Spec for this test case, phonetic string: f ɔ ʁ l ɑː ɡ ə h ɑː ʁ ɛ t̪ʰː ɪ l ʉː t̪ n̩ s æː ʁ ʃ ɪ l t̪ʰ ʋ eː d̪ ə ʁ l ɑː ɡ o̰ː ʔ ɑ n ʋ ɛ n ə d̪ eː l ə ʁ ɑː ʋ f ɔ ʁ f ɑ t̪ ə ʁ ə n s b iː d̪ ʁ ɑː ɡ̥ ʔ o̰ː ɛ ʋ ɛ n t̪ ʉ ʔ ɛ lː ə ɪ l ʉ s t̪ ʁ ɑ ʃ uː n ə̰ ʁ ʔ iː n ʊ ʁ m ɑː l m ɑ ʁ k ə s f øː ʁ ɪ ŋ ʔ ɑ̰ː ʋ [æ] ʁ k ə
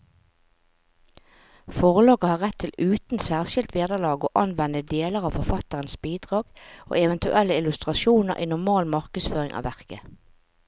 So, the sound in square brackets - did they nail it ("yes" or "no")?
yes